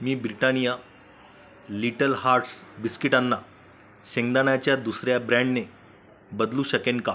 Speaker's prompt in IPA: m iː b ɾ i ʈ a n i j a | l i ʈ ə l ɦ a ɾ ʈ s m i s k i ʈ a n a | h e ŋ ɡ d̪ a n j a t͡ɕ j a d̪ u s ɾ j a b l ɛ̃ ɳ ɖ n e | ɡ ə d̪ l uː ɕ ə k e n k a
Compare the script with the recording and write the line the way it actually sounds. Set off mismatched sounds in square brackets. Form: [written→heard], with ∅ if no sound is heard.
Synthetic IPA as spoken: m iː b ɾ i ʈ a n i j a | l i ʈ ə l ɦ a ɾ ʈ s [m→b] i s k i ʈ a [n→nː] a | [h→ɕ] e ŋ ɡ d̪ a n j a t͡ɕ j a d̪ u s ɾ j a b [l→ɾ] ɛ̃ ɳ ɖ n e | [ɡ→b] ə d̪ l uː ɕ ə k e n k a